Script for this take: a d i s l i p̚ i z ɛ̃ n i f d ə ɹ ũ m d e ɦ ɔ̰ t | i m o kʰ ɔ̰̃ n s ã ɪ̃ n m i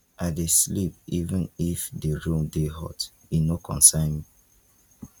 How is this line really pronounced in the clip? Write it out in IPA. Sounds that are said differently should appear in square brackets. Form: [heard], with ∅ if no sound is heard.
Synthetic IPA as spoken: a d [e] s l i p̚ i [v] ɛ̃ n i f d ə ɹ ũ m d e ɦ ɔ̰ t | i [n] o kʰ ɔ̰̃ n s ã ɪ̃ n m i

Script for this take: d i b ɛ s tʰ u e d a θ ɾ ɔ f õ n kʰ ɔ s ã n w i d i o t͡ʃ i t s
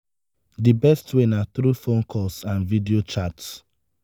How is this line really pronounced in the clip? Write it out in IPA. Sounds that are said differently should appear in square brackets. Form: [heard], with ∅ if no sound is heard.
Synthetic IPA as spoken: d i b ɛ s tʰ [w] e [n] a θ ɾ [u] f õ n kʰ ɔ s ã n [v] i d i o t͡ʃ [a] t s

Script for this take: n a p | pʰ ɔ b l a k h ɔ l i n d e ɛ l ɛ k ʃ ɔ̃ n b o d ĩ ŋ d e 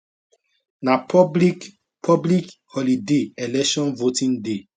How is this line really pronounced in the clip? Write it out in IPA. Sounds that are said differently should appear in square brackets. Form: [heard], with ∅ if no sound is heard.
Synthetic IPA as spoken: n a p | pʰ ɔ b l [i] k h ɔ l i [∅] d e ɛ l ɛ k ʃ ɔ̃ n [v] o [t] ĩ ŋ d e

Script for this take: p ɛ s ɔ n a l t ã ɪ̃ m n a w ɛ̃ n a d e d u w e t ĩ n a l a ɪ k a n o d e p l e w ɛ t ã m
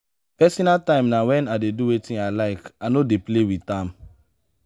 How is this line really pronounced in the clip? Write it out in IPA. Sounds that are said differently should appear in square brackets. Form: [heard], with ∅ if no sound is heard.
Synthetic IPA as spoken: p ɛ s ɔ n a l t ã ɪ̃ m n a w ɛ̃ n a d e d u w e t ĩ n a l a ɪ k a n o d e p l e w [i] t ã m

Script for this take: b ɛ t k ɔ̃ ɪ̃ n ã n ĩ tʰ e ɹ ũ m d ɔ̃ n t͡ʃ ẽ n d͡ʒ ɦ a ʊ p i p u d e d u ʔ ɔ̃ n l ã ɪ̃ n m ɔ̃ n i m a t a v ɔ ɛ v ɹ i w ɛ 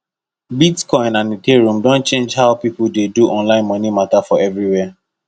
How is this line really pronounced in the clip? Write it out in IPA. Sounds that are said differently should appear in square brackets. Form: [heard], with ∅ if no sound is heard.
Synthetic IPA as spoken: b [i] t k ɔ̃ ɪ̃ n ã n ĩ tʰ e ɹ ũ m d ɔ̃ n t͡ʃ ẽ n d͡ʒ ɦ a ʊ p i p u d e d u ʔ ɔ̃ n l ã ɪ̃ n m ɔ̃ n i m a t a [f] ɔ ɛ v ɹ i w ɛ

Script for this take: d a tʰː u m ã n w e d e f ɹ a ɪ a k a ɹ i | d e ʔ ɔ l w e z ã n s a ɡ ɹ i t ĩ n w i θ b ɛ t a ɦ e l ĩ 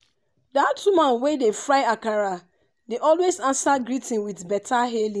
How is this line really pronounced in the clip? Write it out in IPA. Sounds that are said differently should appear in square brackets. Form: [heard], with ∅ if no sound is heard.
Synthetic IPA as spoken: d a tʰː u m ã n w e d e f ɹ a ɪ a k a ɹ [a] | d e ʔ ɔ l w e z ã n s a ɡ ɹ i t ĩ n w i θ b ɛ t a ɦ e l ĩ

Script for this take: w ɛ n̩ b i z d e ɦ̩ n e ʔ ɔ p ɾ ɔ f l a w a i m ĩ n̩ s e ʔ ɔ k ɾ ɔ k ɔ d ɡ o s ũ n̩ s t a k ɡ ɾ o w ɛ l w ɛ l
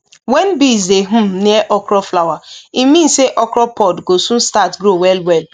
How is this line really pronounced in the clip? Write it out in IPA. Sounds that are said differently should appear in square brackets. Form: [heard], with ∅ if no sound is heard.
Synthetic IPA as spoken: w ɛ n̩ b i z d e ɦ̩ n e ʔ ɔ [k] ɾ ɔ f l a w a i m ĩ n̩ s e ʔ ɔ k ɾ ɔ [p] ɔ d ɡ o s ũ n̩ s t a [t] ɡ ɾ o w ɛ l w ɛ l

